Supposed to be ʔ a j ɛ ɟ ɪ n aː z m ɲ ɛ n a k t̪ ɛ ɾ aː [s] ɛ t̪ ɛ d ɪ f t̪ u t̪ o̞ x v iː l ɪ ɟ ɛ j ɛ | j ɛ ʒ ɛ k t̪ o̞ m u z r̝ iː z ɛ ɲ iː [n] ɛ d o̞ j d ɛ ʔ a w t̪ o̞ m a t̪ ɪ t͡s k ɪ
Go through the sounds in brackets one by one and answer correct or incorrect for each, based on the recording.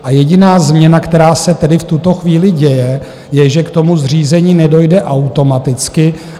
correct, correct

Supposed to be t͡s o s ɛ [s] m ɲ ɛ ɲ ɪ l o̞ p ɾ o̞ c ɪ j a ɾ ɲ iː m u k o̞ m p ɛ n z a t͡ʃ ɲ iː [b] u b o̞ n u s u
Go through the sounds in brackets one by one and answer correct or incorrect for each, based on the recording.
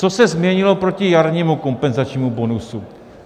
incorrect: z, incorrect: m

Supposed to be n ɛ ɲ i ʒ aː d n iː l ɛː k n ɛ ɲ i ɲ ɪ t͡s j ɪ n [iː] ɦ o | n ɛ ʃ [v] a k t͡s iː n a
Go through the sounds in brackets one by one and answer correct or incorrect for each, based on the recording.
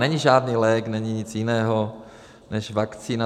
incorrect: ɛː, correct

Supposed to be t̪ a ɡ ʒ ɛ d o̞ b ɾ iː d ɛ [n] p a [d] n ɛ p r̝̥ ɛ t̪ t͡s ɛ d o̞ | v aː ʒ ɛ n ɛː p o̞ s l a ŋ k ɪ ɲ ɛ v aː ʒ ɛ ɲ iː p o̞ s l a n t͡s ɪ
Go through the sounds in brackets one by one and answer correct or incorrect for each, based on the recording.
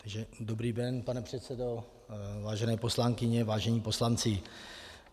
correct, incorrect: none

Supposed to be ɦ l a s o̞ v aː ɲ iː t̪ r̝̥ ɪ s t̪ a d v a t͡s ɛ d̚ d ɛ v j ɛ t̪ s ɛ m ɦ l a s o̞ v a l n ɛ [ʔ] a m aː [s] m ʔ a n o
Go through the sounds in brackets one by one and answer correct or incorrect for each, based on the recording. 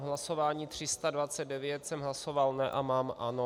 correct, incorrect: none

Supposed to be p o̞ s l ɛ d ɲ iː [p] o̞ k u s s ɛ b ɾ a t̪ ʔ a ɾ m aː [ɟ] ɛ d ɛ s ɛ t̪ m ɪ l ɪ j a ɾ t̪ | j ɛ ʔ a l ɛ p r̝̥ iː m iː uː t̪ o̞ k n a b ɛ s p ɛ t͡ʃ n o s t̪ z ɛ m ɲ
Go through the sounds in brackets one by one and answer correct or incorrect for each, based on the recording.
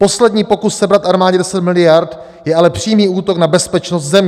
correct, correct

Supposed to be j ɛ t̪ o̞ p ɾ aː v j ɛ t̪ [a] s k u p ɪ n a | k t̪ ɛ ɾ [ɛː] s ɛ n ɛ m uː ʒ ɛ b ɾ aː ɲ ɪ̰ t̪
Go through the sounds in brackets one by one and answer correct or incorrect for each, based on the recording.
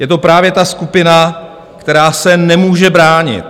correct, incorrect: aː

